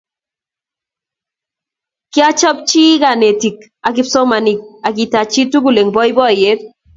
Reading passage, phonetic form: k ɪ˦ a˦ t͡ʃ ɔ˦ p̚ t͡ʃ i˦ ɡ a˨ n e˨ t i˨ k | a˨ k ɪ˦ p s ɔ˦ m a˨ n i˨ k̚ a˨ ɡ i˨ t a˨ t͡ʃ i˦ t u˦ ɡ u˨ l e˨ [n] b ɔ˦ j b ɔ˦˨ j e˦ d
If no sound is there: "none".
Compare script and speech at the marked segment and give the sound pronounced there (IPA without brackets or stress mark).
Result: ŋ